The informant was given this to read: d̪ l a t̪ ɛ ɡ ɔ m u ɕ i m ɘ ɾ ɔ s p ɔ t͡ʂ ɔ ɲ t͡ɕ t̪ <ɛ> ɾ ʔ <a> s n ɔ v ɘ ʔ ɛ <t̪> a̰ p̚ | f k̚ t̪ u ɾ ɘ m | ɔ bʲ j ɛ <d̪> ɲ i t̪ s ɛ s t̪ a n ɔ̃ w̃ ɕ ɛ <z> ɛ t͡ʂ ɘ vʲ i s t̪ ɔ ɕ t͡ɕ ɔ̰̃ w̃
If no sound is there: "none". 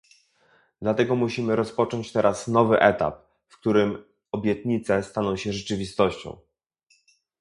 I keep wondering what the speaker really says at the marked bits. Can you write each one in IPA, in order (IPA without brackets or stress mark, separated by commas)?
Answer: ɛ, a, t̪, t̪, ʐ